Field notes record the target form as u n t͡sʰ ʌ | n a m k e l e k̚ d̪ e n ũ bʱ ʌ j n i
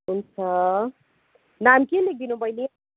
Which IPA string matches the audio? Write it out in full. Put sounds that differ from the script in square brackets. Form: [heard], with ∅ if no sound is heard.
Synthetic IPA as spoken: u n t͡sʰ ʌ | n a m k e l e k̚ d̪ [i] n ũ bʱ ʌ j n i